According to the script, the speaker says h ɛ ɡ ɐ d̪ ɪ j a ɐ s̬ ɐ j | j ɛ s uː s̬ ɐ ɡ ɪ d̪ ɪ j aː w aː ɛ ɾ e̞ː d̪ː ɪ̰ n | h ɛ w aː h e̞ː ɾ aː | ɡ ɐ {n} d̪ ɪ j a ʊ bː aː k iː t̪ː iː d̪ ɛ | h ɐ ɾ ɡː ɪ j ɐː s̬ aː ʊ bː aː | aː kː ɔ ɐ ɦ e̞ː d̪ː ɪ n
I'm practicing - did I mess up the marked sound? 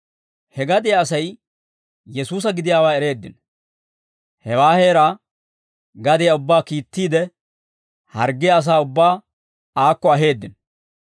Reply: yes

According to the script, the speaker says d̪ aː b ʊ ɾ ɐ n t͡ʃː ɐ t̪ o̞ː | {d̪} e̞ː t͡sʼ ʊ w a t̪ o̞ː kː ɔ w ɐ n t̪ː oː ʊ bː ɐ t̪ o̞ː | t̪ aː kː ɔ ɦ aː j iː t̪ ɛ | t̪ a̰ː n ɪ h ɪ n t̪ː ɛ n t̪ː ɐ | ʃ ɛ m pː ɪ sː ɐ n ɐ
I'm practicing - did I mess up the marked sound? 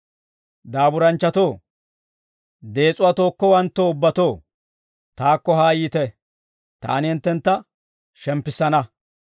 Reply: no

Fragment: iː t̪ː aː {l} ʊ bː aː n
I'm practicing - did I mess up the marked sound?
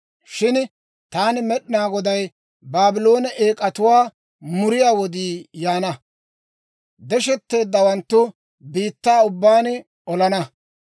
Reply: yes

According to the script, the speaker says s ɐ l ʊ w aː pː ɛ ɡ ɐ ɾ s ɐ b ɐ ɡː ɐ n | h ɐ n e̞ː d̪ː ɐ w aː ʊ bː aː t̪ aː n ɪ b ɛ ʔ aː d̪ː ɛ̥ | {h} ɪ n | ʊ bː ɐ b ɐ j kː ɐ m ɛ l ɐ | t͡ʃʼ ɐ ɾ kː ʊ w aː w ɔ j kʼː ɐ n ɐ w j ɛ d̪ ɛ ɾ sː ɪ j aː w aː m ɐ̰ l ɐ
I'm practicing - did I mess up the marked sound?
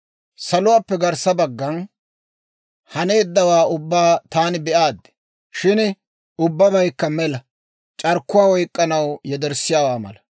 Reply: yes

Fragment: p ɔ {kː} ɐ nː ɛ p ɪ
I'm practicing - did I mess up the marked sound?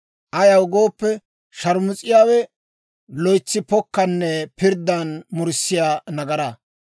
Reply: no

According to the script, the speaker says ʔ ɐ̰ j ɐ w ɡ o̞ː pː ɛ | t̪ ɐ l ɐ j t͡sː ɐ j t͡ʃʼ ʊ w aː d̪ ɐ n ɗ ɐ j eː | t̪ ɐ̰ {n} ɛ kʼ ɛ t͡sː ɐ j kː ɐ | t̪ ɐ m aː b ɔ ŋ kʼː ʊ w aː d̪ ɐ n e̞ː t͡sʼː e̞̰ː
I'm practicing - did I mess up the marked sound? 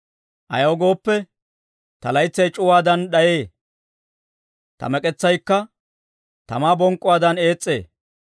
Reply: yes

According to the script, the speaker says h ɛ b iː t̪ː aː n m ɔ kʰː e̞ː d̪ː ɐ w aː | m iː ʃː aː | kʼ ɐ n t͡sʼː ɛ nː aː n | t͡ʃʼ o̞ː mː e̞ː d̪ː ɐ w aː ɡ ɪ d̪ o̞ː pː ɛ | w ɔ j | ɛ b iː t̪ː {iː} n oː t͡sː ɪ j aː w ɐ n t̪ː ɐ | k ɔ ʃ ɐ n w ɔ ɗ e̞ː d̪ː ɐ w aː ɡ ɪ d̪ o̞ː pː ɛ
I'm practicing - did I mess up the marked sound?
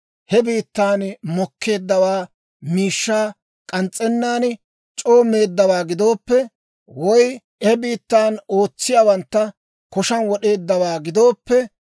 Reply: yes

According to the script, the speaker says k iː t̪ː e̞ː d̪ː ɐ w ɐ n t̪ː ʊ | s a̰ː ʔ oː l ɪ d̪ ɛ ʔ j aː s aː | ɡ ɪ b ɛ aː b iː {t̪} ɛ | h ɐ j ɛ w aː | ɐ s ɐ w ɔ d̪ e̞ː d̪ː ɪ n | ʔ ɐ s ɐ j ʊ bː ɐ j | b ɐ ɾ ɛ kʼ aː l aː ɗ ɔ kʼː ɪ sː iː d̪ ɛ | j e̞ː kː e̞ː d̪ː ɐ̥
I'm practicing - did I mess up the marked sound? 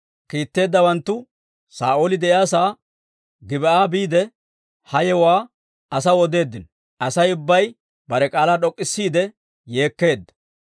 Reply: yes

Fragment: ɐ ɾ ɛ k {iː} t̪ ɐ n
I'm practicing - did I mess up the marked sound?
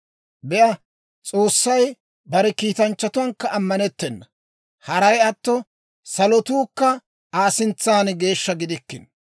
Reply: no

